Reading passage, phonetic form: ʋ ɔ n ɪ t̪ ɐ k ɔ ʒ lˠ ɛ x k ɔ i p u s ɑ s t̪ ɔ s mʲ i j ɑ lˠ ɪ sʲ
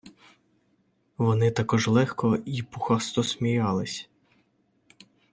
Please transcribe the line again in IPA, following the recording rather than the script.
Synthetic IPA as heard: ʋ ɔ n ɪ t̪ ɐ k ɔ ʒ lˠ ɛ x k ɔ i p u x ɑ s t̪ ɔ s mʲ i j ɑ lˠ ɪ sʲ